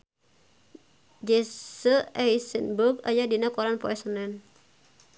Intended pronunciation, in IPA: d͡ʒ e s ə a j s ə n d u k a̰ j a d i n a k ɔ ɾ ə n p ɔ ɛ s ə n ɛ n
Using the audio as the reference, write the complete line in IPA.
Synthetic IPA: d͡ʒ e s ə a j s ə n b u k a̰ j a d i n a k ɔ ɾ a n p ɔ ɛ s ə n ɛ n